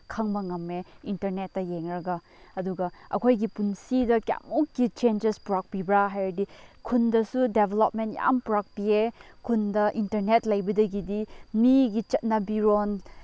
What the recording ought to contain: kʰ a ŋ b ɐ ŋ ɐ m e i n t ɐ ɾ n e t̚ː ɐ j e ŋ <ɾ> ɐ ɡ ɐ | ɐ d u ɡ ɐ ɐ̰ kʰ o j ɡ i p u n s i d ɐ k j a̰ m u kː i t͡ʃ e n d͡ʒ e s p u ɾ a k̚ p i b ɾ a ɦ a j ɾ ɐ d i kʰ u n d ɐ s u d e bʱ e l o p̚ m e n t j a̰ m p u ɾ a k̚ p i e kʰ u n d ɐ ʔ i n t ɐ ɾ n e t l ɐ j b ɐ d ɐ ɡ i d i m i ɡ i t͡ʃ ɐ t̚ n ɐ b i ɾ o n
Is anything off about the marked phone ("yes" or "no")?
no